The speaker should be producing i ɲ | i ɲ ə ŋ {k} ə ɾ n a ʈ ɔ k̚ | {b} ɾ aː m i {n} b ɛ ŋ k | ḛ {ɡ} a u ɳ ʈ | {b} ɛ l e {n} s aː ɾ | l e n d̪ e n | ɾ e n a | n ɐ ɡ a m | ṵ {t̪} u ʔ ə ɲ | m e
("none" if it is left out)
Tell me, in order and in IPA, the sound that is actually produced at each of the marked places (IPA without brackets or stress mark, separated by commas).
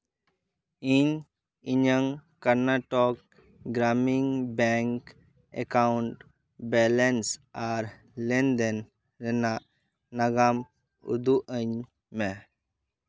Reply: k, ɡ, ŋ, k, b, n, d̪